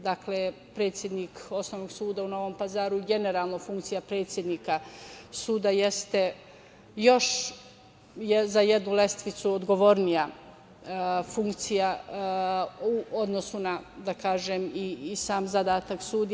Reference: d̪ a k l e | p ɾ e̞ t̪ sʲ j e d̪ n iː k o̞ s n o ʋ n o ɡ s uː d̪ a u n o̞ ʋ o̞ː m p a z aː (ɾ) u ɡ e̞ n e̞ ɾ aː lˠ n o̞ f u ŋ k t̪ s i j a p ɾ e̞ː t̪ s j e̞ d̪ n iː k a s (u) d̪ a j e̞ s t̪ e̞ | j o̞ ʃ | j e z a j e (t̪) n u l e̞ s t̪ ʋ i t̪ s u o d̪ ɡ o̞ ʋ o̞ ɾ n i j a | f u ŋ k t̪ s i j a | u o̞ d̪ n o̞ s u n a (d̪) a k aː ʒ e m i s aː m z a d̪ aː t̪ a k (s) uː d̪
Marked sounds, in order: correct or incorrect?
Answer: correct, incorrect: uː, incorrect: d̪, correct, correct

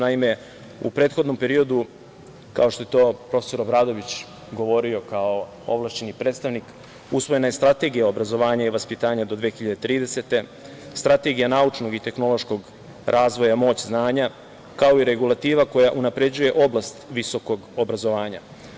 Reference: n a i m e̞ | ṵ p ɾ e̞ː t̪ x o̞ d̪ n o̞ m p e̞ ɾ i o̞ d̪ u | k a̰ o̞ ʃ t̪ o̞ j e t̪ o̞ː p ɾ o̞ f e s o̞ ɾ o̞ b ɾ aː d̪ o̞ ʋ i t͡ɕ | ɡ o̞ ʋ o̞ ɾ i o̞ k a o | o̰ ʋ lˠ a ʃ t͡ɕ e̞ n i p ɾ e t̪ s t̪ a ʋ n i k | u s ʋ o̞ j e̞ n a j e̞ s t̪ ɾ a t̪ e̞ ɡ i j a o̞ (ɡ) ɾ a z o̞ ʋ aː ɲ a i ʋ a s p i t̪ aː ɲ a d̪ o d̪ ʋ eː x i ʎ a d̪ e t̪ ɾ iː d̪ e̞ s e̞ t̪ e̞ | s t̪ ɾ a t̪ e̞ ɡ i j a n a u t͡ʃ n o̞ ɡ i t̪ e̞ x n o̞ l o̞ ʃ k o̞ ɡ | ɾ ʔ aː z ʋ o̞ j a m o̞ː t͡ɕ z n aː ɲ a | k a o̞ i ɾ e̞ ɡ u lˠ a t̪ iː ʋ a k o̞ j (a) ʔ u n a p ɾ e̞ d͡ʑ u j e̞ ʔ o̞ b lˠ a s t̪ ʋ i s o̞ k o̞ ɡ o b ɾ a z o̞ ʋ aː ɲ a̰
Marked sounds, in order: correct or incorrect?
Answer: incorrect: b, correct

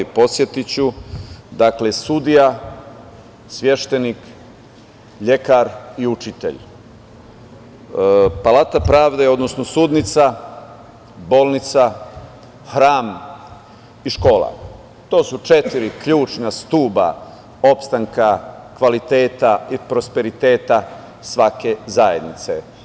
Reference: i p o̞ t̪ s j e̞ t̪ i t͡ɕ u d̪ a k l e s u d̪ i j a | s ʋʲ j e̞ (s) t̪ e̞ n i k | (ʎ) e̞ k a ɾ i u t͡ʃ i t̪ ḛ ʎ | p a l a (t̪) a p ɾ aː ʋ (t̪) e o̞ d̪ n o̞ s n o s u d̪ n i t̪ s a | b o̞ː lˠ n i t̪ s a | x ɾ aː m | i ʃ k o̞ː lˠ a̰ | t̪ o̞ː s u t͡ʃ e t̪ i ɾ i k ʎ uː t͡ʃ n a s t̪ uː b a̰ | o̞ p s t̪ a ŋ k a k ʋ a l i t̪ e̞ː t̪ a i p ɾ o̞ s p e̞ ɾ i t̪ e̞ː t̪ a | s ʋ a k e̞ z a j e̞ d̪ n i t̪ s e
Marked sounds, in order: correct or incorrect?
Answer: incorrect: ʃ, correct, correct, incorrect: d̪

